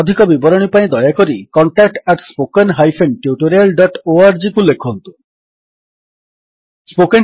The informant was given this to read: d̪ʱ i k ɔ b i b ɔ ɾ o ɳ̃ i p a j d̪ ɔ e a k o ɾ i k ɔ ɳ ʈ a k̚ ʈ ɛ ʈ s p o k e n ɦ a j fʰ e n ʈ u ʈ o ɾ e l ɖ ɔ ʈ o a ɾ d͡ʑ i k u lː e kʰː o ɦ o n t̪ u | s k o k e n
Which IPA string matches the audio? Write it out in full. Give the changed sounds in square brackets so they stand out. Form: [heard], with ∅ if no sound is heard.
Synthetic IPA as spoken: d̪ʱ i k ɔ b i b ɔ ɾ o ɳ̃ i p a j d̪ ɔ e a k o ɾ i k ɔ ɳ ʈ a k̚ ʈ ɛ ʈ s p o k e n ɦ a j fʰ e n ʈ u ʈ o ɾ e l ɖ ɔ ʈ o a ɾ d͡ʑ i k u lː e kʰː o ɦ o n t̪ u | s [p] o k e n